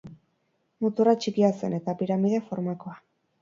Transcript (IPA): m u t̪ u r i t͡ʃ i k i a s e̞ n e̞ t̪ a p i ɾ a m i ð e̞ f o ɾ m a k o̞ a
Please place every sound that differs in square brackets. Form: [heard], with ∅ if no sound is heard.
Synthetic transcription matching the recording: m u t̪ u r [a] t͡ʃ i k i a s e̞ n e̞ t̪ a p i ɾ a m i ð e̞ f o ɾ m a k o̞ a